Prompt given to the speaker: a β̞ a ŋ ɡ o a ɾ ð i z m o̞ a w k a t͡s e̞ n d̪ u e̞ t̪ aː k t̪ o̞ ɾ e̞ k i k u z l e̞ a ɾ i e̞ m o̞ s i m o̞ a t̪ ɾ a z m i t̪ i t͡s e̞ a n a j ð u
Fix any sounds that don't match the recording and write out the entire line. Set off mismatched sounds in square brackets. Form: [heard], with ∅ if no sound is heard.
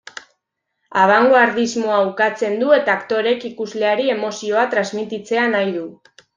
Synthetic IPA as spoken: a β̞ a ŋ ɡ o a ɾ ð i z m o̞ a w k a t͡s e̞ n d̪ u e̞ t̪ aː k t̪ o̞ ɾ e̞ k i k u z l e̞ a ɾ i e̞ m o̞ s i [∅] o̞ a t̪ ɾ a z m i t̪ i t͡s e̞ a n a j ð u

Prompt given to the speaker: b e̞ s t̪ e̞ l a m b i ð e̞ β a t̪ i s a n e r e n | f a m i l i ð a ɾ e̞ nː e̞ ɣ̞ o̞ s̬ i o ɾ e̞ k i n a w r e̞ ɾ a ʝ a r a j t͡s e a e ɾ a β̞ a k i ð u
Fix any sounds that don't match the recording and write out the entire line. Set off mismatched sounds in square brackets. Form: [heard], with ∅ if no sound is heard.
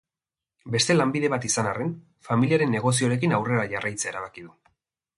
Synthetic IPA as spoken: b e̞ s t̪ e̞ l a m b i ð e̞ β a t̪ i s a n [a] r e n | f a m i l i [∅] a ɾ e̞ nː e̞ ɣ̞ o̞ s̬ i o ɾ e̞ k i n a w r e̞ ɾ a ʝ a r a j t͡s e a e ɾ a β̞ a k i ð u

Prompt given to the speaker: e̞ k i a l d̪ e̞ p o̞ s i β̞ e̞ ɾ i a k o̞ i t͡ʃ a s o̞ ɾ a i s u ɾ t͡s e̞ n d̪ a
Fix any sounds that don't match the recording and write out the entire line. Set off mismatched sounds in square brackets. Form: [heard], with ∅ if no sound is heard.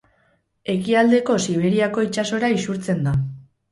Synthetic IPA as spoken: e̞ k i a l d̪ e̞ [k] o̞ s i β̞ e̞ ɾ i a k o̞ i t͡ʃ a s o̞ ɾ a i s u ɾ t͡s e̞ n d̪ a

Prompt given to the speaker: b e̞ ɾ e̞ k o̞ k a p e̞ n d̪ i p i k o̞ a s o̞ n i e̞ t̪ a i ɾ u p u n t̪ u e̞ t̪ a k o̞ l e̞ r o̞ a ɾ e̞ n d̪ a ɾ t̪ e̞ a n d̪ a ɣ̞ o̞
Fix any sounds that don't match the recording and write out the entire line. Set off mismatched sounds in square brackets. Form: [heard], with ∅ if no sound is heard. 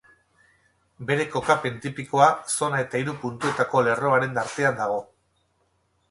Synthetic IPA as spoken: b e̞ ɾ e̞ k o̞ k a p e̞ n [t̪] i p i k o̞ a s o̞ n [a] e̞ t̪ a i ɾ u p u n t̪ u e̞ t̪ a k o̞ l e̞ r o̞ a ɾ e̞ n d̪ a ɾ t̪ e̞ a n d̪ a ɣ̞ o̞

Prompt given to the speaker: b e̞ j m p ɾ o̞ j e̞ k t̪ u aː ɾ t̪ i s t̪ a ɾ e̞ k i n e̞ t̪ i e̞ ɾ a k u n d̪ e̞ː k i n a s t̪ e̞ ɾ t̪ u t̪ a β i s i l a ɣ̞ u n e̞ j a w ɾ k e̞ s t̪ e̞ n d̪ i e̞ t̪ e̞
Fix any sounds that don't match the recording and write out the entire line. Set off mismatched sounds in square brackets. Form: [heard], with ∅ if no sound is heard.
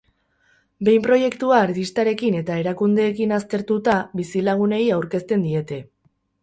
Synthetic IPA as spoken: b e̞ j m p ɾ o̞ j e̞ k t̪ u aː ɾ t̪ i s t̪ a ɾ e̞ k i n e̞ t̪ [a] e̞ ɾ a k u n d̪ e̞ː k i n a s t̪ e̞ ɾ t̪ u t̪ a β i s i l a ɣ̞ u n e̞ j a w ɾ k e̞ s t̪ e̞ n d̪ i e̞ t̪ e̞

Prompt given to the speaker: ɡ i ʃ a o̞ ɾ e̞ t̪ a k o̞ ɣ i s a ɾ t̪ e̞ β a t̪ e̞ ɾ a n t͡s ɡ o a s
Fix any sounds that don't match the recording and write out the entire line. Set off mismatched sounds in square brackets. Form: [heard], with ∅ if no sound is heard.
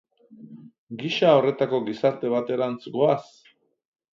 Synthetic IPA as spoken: ɡ i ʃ a o̞ [r] e̞ t̪ a k o̞ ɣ i s a ɾ t̪ e̞ β a t̪ e̞ ɾ a n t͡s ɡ o a s

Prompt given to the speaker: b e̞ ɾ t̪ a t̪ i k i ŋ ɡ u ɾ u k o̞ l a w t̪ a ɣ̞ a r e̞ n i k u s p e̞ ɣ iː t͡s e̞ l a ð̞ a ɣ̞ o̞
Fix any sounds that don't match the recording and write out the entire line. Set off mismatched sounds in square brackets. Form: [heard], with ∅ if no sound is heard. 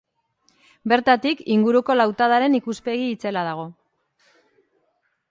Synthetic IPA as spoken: b e̞ ɾ t̪ a t̪ i k i ŋ ɡ u ɾ u k o̞ l a w t̪ a [ð̞] a [ɾ] e̞ n i k u s p e̞ ɣ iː t͡s e̞ l a ð̞ a ɣ̞ o̞

